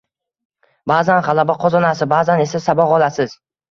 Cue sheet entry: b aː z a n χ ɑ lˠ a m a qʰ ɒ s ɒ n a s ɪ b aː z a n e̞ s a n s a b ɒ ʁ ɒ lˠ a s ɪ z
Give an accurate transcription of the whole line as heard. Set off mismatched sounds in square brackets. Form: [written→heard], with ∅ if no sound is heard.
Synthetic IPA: b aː z a n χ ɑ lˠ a [m→b] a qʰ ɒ [s→z] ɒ n a s ɪ b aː z a n e̞ s a [n→∅] s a b ɒ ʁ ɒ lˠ a s ɪ z